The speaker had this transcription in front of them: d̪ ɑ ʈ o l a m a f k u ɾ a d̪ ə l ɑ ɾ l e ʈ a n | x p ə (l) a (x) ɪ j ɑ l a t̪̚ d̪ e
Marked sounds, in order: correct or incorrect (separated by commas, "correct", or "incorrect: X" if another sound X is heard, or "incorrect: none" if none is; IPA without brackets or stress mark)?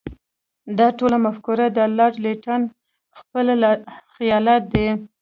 correct, correct